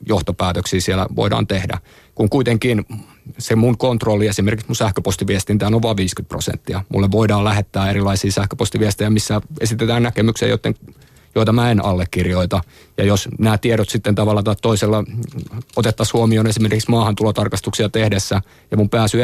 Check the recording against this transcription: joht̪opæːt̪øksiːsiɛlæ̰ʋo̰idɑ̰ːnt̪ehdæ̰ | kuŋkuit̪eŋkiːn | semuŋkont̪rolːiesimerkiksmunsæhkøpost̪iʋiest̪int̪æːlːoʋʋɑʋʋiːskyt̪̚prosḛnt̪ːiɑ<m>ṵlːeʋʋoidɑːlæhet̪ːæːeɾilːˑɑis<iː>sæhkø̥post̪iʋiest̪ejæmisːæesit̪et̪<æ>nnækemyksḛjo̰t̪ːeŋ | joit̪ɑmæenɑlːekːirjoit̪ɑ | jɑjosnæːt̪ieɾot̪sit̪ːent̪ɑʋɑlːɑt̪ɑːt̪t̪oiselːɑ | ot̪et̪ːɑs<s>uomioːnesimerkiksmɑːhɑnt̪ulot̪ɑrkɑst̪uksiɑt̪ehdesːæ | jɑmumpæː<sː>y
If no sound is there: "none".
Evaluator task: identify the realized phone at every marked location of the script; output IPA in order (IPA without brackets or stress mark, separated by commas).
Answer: m, iː, æː, h, s